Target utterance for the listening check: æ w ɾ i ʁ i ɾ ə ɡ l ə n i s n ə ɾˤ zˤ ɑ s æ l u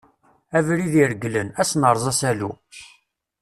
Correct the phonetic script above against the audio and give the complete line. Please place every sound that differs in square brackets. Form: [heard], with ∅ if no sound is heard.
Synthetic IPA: æ [v] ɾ i [ð] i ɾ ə ɡ l ə n [æ] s n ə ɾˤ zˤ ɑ s æ l u